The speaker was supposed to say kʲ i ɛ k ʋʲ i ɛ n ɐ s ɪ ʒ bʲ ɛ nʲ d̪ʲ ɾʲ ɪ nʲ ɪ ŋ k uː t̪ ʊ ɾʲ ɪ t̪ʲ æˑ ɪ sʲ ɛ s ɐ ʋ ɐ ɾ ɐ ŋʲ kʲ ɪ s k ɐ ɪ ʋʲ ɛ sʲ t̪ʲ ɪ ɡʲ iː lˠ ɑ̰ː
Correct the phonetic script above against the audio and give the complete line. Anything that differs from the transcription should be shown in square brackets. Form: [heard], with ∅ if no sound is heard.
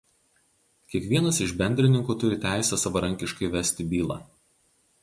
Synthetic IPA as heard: kʲ i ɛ k ʋʲ i ɛ n ɐ s ɪ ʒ bʲ ɛ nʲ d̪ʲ ɾʲ ɪ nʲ ɪ ŋ k uː t̪ ʊ ɾʲ ɪ t̪ʲ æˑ ɪ sʲ ɛ s ɐ ʋ ɐ ɾ ɐ ŋʲ kʲ ɪ [ʃ] k ɐ ɪ ʋʲ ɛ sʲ t̪ʲ ɪ [bʲ] iː lˠ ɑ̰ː

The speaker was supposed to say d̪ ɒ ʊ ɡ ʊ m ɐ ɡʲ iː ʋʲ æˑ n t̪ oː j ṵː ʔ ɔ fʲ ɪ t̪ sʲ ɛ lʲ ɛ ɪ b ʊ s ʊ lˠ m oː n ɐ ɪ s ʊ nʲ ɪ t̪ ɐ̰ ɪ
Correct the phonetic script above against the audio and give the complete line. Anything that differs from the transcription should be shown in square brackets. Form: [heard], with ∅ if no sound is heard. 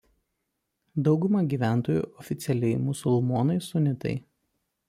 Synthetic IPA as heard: d̪ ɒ ʊ ɡ ʊ m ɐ ɡʲ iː ʋʲ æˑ n t̪ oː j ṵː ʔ ɔ fʲ ɪ t̪ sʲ ɛ lʲ ɛ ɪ [m] ʊ s ʊ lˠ m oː n ɐ ɪ s ʊ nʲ ɪ t̪ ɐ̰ ɪ

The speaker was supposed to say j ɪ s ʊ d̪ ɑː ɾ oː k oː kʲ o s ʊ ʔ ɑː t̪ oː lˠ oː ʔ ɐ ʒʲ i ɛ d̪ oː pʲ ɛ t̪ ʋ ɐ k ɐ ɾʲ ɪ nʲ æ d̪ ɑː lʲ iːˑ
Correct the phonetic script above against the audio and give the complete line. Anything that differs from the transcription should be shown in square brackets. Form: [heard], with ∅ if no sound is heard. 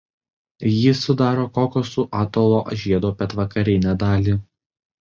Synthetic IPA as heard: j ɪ s ʊ d̪ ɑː ɾ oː k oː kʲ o s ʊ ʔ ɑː t̪ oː lˠ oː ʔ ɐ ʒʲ i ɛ d̪ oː pʲ ɛ t̪ ʋ ɐ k ɐ ɾʲ ɪ nʲ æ d̪ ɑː lʲ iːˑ

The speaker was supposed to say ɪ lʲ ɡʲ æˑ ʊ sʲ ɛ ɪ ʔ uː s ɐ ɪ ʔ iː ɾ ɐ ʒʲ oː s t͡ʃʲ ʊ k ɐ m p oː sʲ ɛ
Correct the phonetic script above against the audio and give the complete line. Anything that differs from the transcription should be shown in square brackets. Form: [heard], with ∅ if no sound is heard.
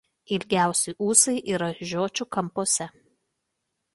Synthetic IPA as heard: ɪ lʲ ɡʲ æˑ ʊ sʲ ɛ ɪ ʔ uː s ɐ ɪ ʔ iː ɾ ɐ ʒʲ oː [∅] t͡ʃʲ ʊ k ɐ m p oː sʲ ɛ

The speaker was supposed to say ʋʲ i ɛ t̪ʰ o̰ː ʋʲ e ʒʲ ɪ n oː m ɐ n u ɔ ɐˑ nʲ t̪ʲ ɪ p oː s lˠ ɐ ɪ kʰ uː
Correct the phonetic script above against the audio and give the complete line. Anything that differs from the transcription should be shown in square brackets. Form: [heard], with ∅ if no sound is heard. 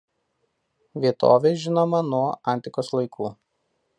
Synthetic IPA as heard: ʋʲ i ɛ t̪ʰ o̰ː ʋʲ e ʒʲ ɪ n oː m ɐ n u ɔ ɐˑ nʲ t̪ʲ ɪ [k] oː s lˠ ɐ ɪ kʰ uː

